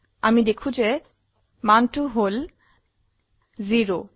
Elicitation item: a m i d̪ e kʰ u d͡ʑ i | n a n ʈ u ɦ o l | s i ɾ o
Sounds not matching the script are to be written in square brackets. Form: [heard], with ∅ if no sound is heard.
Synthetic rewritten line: a m i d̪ e kʰ u d͡ʑ [e] | [m] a n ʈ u ɦ o l | [z] i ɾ o